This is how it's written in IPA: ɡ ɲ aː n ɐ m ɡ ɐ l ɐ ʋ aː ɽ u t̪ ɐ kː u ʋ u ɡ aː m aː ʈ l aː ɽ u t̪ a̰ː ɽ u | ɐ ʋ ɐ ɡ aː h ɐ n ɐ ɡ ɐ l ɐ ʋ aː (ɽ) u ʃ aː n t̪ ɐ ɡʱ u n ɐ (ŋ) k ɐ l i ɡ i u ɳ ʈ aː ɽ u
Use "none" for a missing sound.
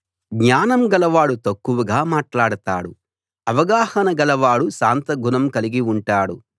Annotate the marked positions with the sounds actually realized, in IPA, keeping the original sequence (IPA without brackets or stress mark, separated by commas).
ɽ, m